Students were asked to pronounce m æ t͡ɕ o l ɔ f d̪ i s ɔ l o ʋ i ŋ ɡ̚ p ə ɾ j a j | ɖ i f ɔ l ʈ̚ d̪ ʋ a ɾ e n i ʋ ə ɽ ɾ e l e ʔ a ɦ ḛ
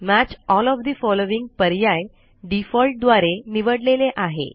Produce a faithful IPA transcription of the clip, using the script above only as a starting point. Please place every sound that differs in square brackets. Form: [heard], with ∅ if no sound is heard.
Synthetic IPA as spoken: m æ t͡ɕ [ɔ] l ɔ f d̪ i [f] ɔ l o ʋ i ŋ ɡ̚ p ə ɾ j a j | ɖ i f ɔ l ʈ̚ d̪ ʋ a ɾ e n i ʋ ə ɽ [l] e l e ʔ a ɦ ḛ